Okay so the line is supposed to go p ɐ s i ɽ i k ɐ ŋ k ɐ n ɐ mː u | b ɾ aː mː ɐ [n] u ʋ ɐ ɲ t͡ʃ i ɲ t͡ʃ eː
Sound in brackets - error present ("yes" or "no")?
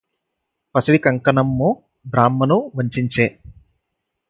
no